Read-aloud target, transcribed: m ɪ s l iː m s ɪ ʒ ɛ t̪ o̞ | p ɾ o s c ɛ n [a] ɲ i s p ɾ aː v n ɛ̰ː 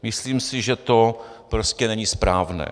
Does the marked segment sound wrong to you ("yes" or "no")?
yes